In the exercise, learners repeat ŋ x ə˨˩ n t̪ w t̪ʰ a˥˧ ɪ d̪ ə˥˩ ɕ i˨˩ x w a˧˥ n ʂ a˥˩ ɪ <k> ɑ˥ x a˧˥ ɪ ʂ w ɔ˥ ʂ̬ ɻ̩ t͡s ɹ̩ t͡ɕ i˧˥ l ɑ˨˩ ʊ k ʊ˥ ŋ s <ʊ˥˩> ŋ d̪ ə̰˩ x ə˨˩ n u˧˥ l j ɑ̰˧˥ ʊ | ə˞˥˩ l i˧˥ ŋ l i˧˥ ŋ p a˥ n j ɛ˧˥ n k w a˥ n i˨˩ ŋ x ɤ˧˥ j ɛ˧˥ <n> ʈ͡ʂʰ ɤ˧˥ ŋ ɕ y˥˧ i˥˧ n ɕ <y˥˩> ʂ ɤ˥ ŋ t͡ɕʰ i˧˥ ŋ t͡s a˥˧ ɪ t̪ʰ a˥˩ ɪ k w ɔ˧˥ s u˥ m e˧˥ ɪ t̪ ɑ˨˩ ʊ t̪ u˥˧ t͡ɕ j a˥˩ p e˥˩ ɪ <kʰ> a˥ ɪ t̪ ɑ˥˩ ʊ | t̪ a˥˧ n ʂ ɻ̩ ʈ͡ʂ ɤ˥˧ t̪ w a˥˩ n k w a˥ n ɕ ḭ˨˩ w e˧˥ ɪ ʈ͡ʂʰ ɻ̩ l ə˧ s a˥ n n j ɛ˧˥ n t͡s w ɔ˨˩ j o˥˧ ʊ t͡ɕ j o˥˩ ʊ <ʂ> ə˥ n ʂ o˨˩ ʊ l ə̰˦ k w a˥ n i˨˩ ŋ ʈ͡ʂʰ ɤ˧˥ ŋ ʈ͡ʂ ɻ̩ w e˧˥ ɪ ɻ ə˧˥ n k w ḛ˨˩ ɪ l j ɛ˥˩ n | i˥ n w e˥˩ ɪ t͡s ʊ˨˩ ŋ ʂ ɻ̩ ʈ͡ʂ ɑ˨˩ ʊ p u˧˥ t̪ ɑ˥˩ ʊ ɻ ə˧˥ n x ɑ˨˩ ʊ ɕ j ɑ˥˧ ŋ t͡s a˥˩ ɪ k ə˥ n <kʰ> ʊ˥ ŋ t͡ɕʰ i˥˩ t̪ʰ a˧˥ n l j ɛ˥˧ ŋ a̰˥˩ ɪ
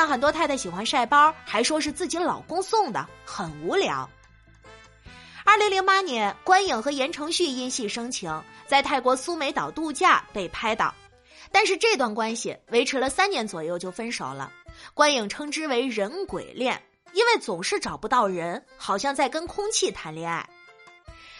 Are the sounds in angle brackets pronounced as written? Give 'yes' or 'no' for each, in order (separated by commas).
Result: no, yes, yes, no, no, no, yes